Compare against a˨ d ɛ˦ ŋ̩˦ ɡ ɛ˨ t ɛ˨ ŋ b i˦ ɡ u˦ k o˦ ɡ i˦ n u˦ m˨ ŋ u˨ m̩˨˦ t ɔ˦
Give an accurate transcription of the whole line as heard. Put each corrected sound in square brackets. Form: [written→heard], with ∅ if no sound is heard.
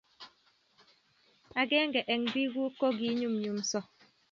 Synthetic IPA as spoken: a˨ [d→ɡ] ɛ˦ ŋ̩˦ ɡ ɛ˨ [t→ʔ] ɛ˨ ŋ b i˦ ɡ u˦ k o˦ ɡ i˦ [n→ɲ] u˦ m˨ [ŋ→ɲ] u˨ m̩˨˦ [t→s] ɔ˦

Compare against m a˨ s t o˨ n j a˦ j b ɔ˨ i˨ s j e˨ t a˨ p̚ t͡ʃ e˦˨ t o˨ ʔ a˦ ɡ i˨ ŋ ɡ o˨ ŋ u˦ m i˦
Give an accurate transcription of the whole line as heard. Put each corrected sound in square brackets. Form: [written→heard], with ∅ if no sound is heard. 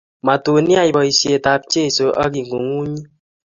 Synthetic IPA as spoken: m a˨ [s→∅] t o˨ n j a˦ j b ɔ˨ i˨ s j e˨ t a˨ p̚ t͡ʃ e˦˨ [t→s] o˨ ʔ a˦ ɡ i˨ ŋ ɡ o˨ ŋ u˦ [m→ɲ] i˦

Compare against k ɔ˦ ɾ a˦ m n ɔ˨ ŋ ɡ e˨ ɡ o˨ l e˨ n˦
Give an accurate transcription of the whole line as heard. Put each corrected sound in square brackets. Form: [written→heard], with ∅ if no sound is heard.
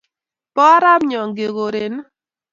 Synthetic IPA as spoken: [k→p] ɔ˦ ɾ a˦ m [n→ɲ] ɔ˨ ŋ ɡ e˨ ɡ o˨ [l→ɾ] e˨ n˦

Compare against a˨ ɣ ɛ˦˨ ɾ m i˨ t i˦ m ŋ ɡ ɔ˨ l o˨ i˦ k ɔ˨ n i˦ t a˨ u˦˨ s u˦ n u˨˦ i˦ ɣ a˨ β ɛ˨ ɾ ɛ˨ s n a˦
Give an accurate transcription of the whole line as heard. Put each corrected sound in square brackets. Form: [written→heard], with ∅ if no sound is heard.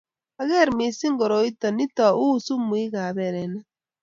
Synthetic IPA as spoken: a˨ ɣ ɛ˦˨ ɾ m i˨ [t→s] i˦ [m→∅] ŋ ɡ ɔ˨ [l→ɾ] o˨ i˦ [k→t] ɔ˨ n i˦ t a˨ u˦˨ s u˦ [n→m] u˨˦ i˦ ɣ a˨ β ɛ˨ ɾ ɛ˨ [s→∅] n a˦

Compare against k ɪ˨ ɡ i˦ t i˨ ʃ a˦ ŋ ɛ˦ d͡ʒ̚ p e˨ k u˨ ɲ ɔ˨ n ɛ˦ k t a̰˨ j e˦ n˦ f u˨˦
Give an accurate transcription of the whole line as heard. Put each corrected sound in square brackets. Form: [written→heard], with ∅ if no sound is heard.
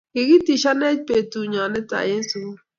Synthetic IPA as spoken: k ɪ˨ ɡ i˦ t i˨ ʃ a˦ [ŋ→n] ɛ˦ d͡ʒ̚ p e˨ [k→t] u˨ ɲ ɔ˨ n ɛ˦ [k→∅] t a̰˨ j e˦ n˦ [f→s] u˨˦

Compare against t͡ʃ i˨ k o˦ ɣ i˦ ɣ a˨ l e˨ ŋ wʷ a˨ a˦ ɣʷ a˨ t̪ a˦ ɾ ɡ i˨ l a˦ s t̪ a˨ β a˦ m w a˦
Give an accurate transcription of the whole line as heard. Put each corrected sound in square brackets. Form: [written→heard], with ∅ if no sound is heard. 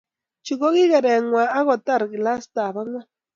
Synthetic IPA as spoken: t͡ʃ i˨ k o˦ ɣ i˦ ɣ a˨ [l→ɾ] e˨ ŋ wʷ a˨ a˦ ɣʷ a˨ t̪ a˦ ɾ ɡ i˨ l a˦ s t̪ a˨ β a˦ [m→ŋ] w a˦

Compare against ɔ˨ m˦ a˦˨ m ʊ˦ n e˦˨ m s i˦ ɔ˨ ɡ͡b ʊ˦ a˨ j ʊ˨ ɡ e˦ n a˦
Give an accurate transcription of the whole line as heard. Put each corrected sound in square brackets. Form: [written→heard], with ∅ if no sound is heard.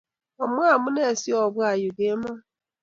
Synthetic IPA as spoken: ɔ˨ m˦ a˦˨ m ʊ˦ n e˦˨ [m→∅] s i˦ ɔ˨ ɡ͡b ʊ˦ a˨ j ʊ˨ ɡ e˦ [n→m] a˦

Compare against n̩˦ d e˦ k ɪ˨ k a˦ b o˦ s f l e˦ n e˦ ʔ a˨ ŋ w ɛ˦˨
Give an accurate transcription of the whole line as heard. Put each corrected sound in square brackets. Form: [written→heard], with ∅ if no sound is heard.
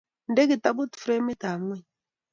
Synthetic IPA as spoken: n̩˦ d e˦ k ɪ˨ [k→t] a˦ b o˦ [s→t] f [l→ɾ] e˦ [n→m] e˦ [ʔ→t] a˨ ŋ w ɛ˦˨

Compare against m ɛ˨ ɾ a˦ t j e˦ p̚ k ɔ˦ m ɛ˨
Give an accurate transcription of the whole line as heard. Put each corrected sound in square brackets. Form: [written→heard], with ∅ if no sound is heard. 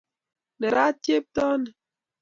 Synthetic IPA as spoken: [m→n] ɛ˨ ɾ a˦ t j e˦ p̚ [k→t] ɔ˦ [m→n] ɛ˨

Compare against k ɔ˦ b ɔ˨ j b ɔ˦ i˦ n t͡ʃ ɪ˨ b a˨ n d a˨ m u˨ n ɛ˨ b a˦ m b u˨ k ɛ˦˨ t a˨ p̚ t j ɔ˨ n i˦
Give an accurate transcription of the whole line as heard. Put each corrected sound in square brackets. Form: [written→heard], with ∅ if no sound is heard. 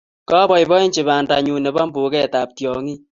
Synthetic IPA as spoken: k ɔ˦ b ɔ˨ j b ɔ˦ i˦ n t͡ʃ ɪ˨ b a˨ n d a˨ [m→ɲ] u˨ n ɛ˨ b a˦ m b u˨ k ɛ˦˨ t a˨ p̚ t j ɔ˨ [n→ŋ] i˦

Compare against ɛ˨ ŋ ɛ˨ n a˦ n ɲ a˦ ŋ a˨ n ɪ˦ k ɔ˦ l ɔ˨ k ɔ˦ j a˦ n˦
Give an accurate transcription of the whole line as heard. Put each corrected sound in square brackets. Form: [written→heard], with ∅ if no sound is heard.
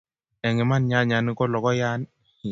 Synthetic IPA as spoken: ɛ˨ ŋ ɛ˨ [n→m] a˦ n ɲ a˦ [ŋ→ɲ] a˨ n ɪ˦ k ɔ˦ l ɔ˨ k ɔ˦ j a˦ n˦

